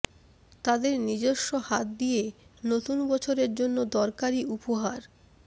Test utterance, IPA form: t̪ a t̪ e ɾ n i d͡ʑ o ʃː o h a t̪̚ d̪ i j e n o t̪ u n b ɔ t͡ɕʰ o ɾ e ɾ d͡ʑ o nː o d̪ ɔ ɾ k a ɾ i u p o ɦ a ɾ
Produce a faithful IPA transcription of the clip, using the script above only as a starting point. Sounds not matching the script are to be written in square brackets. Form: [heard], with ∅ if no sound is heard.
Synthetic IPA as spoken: t̪ a [d̪] e ɾ n i d͡ʑ o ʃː o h a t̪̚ d̪ i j e n o t̪ u n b ɔ t͡ɕʰ o ɾ e ɾ d͡ʑ o nː o d̪ ɔ ɾ k a ɾ i u p o ɦ a ɾ